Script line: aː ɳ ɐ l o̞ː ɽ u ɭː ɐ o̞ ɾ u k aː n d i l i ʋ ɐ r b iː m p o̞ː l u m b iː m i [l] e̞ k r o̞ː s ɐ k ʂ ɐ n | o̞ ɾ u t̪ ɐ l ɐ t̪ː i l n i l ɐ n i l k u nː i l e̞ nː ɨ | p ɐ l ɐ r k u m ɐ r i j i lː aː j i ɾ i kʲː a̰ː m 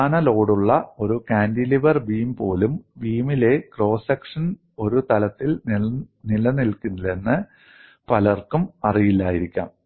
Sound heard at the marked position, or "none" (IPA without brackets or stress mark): l